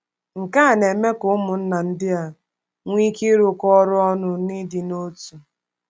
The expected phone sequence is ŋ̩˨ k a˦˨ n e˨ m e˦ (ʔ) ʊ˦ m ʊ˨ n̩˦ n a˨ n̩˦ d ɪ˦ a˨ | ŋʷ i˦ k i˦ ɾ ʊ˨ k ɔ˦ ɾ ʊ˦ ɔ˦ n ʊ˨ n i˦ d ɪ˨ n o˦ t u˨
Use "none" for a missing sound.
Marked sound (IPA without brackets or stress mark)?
k